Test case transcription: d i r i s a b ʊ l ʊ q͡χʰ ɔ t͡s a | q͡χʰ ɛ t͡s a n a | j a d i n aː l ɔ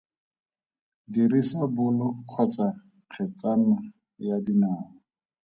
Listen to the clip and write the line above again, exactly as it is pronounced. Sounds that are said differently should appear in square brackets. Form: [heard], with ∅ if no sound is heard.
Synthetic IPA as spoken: d i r i s a b ʊ l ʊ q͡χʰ ɔ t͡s a | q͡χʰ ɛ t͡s a n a | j a d i n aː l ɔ